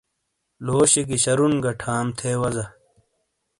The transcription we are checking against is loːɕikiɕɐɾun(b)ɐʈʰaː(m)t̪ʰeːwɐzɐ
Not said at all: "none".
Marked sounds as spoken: ɡ, m

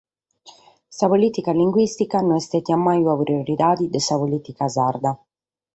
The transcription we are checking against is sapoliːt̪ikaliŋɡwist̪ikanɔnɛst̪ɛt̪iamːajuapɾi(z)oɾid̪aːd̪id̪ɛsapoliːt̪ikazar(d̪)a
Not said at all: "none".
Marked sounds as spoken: none, d̪

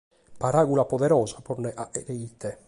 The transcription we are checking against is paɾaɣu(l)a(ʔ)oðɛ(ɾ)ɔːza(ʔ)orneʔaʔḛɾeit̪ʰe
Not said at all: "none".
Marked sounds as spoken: l, p, ɾ, p

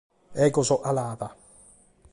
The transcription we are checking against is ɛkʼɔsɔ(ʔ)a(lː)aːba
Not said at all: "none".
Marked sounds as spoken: ʔ, l

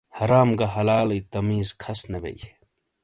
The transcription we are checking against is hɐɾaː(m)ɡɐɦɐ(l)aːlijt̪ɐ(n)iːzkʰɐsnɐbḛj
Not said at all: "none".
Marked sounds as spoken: m, l, m

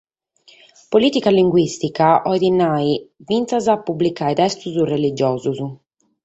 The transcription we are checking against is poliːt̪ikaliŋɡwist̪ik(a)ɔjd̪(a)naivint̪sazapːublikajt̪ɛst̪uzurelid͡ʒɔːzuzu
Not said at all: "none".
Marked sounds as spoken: a, i

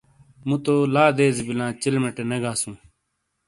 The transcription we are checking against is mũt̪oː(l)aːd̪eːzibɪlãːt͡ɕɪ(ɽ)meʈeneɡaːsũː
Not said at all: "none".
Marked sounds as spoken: l, l

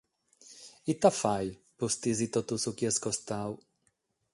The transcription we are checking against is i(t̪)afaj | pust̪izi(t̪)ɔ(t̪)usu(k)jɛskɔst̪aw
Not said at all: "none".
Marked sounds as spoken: t̪, t̪, t̪, k

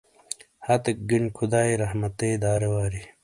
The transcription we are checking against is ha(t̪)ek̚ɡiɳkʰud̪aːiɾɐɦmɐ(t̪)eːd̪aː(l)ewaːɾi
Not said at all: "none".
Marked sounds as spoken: t̪, t̪, ɾ

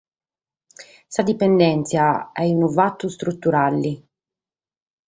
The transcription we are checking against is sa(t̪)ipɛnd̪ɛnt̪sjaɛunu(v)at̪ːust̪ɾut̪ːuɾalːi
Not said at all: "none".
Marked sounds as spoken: d̪, v

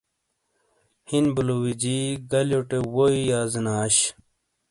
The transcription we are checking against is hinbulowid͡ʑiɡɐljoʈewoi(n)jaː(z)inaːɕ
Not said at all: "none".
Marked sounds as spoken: none, z

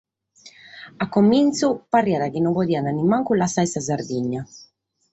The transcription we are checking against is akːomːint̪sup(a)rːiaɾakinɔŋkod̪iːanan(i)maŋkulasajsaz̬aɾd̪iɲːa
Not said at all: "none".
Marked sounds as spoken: a, i

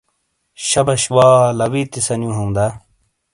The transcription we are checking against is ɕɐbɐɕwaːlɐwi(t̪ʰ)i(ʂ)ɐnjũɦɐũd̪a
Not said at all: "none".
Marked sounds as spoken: t̪, s

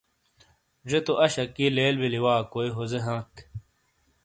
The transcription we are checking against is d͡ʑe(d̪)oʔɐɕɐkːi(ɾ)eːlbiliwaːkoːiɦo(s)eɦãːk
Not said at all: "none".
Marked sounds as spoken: t̪, l, z

